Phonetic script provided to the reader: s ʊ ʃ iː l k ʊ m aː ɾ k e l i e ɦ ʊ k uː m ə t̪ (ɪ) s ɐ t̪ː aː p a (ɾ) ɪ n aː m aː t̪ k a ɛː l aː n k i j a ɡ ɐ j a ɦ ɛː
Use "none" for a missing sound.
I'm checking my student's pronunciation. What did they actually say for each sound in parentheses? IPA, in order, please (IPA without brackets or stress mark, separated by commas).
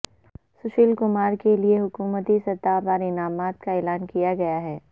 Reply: i, ɾ